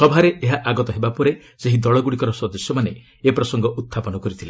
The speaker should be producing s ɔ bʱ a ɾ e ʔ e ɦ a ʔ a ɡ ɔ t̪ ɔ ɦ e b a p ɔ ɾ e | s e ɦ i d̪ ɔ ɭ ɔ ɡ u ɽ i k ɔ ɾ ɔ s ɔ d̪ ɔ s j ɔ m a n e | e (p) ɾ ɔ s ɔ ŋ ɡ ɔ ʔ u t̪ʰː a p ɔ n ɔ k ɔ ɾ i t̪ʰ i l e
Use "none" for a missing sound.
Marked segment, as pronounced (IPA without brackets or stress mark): p